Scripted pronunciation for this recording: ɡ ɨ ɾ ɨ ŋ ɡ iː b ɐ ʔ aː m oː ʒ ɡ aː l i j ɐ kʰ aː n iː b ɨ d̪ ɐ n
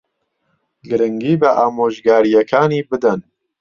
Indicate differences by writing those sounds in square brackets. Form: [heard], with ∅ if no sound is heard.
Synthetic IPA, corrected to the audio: ɡ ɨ ɾ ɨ ŋ ɡ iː b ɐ ʔ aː m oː ʒ ɡ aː [ɾ] i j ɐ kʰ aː n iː b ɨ d̪ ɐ n

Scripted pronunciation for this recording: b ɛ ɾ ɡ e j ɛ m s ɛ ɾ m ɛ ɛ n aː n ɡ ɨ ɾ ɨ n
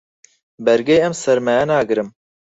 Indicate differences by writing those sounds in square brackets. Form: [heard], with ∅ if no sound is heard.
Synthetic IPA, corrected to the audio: b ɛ ɾ ɡ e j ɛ m s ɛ ɾ m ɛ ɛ n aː [∅] ɡ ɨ ɾ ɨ [m]

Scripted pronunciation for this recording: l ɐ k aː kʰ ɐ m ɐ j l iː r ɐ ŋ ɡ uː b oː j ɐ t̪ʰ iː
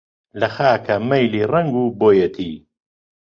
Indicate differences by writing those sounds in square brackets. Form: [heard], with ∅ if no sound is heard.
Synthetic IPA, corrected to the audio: l ɐ [x] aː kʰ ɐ m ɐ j l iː r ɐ ŋ ɡ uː b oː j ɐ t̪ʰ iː

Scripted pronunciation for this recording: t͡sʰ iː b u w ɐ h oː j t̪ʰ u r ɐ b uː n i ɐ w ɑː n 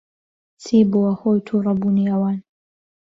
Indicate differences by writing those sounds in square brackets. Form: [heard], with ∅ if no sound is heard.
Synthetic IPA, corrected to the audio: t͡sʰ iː b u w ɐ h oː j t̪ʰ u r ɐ b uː n i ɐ w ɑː n

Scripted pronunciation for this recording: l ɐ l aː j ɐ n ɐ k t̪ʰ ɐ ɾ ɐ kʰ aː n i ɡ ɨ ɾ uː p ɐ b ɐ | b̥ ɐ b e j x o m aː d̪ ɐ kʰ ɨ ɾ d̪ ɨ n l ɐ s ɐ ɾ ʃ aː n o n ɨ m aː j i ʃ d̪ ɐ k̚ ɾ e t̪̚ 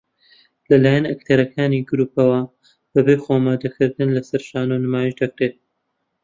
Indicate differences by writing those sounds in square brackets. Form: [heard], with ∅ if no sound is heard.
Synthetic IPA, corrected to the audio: l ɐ l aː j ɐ n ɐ k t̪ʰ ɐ ɾ ɐ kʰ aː n i ɡ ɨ ɾ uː p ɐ [w] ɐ | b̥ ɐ b e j x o m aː d̪ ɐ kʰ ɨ ɾ d̪ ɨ n l ɐ s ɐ ɾ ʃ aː n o n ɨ m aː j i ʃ d̪ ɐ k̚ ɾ e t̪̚

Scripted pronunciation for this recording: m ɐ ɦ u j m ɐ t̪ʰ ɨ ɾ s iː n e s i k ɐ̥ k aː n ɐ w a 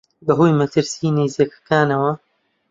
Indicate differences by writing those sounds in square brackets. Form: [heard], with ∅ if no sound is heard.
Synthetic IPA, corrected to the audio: [b] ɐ ɦ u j m ɐ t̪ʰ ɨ ɾ s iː n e [z] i k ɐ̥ k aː n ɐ w [ɐ]

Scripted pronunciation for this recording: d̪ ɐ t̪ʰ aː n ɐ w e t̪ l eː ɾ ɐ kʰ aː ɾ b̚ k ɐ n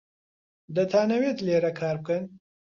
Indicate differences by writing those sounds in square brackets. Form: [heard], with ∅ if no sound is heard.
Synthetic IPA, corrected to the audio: d̪ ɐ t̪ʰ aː n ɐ w e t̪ l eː ɾ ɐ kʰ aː ɾ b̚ k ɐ n

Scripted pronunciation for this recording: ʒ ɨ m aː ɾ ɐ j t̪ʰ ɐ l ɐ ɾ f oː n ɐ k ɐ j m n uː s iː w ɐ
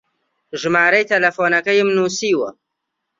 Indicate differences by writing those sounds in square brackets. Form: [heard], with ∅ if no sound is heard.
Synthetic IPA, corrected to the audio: ʒ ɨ m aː ɾ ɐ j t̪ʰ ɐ l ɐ [∅] f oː n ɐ k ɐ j m n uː s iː w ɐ

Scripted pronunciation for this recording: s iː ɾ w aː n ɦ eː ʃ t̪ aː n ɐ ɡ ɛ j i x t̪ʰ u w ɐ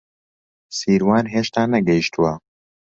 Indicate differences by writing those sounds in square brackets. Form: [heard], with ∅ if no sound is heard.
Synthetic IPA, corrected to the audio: s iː ɾ w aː n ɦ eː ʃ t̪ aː n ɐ ɡ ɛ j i [ʃ] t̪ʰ u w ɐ

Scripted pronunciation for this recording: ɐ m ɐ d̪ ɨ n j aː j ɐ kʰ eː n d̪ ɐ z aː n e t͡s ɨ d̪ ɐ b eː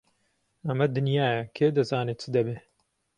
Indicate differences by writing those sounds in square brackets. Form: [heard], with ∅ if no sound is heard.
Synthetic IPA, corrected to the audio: ɐ m ɐ d̪ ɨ n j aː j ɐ kʰ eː [∅] d̪ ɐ z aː n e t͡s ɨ d̪ ɐ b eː

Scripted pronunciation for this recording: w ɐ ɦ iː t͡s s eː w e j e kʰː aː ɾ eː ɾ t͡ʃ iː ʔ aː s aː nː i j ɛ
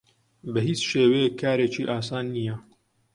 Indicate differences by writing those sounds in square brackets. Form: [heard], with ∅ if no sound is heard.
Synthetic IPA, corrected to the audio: [b] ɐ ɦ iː t͡s [ʃ] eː w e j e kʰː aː ɾ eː [∅] t͡ʃ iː ʔ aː s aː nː i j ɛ

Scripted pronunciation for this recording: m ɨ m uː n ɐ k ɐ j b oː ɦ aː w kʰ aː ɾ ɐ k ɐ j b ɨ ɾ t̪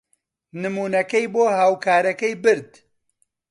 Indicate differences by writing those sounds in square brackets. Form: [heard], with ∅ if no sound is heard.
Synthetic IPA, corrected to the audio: [n] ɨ m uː n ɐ k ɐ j b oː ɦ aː w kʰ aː ɾ ɐ k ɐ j b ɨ ɾ [d̪]

